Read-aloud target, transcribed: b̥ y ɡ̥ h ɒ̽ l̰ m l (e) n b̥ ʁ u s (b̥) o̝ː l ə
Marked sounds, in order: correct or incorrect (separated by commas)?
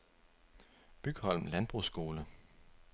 incorrect, incorrect